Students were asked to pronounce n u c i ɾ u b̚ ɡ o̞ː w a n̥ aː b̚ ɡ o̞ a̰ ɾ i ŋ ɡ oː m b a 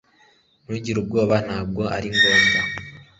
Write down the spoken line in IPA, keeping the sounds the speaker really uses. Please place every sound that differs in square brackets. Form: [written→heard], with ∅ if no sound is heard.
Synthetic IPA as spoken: n u [c→ɟ] i ɾ u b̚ ɡ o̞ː [w→β] a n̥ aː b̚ ɡ o̞ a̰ ɾ i ŋ ɡ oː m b a